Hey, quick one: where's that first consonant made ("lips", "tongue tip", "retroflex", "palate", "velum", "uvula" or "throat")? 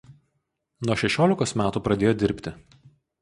tongue tip